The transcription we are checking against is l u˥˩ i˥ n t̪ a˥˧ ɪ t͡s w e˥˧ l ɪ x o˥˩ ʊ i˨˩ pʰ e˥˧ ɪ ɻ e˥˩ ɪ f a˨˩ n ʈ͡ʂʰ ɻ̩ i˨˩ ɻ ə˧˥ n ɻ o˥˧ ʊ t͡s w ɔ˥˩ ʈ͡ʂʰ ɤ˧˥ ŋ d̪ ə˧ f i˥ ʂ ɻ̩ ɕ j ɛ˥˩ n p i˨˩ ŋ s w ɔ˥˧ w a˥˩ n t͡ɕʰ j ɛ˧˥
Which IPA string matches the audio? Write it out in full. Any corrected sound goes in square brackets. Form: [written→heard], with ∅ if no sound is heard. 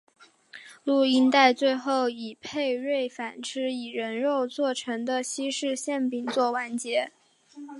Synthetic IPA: l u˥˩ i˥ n t̪ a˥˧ ɪ t͡s w e˥˧ [l→∅] ɪ x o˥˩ ʊ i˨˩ pʰ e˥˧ ɪ ɻ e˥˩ ɪ f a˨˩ n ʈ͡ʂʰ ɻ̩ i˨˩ ɻ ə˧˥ n ɻ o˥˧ ʊ t͡s w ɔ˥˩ ʈ͡ʂʰ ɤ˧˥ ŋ d̪ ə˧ [f→ɕ] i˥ ʂ ɻ̩ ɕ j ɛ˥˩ n p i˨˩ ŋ [s→t͡s] w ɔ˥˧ w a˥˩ n [t͡ɕʰ→t͡ɕ] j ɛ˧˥